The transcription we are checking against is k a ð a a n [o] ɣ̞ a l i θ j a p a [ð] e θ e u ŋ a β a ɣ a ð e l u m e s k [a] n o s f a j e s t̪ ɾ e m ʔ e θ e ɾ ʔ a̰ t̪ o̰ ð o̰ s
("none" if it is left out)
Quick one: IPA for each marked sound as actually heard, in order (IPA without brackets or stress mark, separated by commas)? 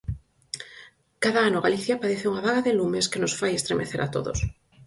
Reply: o, ð, e